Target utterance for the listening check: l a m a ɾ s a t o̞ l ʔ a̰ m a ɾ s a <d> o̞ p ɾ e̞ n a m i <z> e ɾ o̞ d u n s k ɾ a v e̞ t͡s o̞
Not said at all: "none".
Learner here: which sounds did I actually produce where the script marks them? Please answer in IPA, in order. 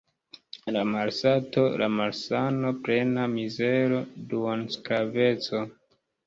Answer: n, z

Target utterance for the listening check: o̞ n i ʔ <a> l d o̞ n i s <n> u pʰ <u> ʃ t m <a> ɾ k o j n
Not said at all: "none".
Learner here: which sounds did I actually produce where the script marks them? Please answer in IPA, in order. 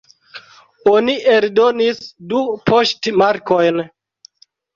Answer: e, d, o, a

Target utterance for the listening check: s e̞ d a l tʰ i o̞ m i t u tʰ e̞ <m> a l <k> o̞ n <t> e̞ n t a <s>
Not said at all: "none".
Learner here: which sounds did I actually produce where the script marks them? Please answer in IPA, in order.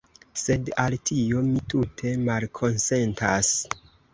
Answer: m, kʰ, s, s

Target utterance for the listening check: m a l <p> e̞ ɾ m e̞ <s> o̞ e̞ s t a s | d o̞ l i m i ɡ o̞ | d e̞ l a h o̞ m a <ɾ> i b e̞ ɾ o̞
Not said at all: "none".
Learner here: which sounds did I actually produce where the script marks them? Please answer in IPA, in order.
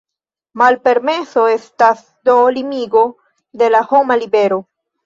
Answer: p, s, l

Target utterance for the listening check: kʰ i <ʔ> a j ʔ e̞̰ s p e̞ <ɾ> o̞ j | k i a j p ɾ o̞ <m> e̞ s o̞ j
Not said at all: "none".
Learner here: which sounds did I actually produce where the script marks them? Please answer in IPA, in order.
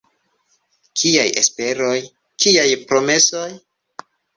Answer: none, ɾ, m

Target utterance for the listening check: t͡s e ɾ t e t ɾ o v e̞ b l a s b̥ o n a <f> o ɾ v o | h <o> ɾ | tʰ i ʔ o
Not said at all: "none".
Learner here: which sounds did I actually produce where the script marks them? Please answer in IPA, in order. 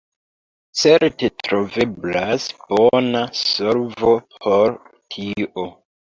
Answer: s, o

